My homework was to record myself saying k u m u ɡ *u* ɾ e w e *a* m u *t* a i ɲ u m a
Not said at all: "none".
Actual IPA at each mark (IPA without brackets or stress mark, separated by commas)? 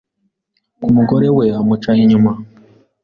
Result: o, a, t͡ʃ